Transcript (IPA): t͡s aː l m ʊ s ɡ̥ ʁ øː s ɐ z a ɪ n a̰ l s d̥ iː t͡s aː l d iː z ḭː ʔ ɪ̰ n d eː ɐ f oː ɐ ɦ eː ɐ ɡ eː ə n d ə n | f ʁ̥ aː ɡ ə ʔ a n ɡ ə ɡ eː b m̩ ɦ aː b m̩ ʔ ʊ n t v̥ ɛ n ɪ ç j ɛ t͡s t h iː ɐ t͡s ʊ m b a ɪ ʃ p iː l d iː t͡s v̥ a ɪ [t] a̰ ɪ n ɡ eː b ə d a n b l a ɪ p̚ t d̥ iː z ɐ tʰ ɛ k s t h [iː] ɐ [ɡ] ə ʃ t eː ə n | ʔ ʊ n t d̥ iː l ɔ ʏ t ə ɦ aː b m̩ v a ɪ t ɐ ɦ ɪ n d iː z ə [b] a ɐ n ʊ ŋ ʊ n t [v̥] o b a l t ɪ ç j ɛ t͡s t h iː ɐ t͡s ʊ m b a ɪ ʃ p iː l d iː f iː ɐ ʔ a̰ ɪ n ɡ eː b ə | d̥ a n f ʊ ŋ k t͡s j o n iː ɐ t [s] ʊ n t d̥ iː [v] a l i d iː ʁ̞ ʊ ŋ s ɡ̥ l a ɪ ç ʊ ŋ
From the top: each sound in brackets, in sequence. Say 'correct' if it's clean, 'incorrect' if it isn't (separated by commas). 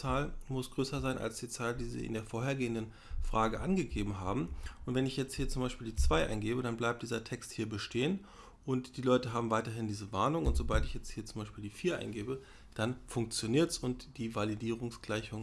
incorrect, correct, incorrect, incorrect, incorrect, correct, correct